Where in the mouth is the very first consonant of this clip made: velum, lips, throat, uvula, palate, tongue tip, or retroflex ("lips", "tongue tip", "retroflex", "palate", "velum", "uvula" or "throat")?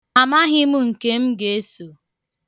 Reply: lips